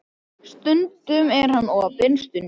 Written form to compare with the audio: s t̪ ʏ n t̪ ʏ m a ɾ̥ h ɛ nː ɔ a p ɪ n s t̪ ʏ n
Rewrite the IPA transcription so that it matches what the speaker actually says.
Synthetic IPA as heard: s t̪ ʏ n t̪ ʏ m ɛ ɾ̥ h a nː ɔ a p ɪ n s t̪ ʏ n

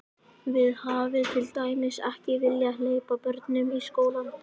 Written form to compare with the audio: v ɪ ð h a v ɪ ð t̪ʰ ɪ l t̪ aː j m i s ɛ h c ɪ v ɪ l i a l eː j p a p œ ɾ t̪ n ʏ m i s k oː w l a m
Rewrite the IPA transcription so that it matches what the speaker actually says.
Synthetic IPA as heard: v ɪ ð h a v ɪ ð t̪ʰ ɪ l t̪ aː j m ɪ s ɛ h c ɪ v ɪ l j a l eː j p a p œ ɾ t̪ n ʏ m i s k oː w l a n

